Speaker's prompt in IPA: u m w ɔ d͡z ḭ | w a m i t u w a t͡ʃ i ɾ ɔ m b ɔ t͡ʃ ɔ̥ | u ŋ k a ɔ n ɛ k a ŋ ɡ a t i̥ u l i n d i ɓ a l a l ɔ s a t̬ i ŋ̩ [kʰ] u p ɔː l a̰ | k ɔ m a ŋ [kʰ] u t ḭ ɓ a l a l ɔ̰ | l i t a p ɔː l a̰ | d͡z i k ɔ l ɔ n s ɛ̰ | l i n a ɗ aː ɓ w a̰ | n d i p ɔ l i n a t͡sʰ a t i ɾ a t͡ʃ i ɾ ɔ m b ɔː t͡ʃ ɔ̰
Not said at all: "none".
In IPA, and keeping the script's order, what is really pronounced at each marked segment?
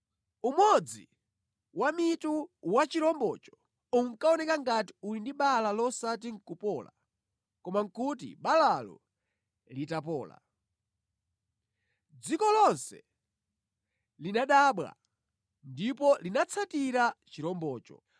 k, k

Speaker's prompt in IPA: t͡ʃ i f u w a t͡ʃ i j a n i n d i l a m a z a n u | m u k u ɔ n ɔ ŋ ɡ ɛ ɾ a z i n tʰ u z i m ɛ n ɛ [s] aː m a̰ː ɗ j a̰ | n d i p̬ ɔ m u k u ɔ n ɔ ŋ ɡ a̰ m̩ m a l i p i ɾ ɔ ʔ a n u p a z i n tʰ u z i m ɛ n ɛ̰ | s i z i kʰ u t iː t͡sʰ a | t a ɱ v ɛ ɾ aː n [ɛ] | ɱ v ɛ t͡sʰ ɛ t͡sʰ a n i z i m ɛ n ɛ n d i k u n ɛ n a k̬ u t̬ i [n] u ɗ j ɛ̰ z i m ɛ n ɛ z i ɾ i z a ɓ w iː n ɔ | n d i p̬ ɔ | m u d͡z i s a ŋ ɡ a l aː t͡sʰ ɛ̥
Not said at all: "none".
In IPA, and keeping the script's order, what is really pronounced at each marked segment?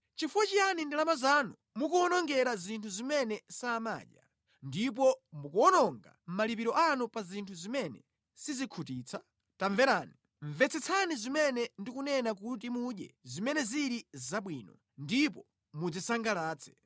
s, i, m

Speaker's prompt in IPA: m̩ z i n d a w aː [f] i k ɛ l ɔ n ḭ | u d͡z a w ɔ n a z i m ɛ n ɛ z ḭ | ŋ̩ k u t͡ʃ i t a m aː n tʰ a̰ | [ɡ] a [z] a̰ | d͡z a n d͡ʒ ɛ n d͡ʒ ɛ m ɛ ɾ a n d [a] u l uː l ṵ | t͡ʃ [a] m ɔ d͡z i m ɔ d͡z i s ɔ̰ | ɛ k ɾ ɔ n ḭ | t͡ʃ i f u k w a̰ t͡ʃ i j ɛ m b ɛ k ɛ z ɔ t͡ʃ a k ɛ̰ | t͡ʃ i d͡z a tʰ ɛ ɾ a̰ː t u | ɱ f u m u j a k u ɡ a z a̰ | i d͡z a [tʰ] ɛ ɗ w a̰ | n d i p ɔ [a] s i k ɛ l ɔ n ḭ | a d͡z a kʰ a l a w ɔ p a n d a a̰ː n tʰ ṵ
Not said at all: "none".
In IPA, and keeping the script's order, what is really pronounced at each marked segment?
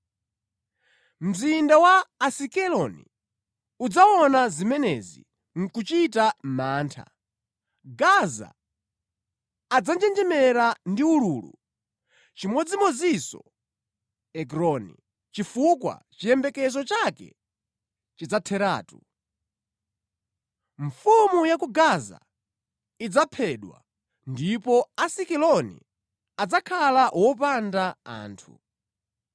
s, ɡ, z, i, i, pʰ, a

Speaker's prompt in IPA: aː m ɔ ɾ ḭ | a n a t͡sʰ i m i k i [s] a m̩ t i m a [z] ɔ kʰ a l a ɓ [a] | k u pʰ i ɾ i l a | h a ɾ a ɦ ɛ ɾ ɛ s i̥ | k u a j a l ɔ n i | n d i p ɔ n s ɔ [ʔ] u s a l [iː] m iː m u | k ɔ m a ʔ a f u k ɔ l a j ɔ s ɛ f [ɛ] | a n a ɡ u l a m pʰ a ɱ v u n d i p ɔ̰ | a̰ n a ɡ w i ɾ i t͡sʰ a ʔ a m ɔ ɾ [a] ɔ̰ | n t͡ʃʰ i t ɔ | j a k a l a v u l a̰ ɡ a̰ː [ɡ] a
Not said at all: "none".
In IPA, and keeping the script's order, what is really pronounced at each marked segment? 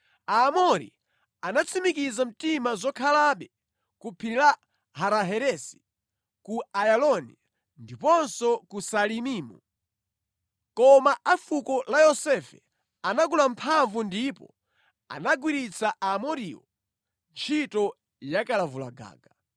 z, z, ɛ, k, i, ɛ, i, ɡ

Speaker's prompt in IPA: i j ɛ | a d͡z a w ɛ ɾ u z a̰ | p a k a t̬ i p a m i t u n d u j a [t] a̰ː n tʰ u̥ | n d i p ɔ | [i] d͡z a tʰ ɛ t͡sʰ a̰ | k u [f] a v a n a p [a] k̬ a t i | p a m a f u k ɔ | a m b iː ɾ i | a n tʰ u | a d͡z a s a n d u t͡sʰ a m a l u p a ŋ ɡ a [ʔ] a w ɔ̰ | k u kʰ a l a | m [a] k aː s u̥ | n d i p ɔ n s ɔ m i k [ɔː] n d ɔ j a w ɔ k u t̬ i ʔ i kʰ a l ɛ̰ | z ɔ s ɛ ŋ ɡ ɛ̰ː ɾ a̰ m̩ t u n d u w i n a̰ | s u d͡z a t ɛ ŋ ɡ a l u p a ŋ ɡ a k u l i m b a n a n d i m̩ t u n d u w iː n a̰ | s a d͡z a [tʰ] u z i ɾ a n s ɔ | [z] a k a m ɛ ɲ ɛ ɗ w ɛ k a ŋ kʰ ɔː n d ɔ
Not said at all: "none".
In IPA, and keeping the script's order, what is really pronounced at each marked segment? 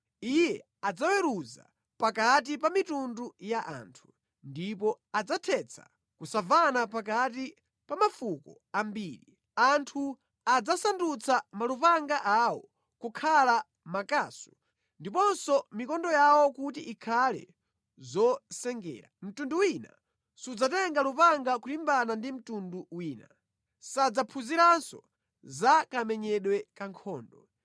ʔ, a, s, a, ʔ, a, ɔ, pʰ, z

